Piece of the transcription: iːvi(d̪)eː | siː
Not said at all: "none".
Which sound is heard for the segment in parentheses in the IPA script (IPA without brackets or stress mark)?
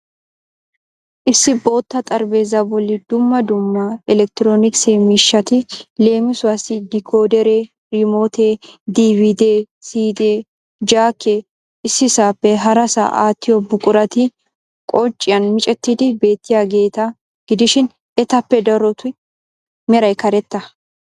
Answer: d̪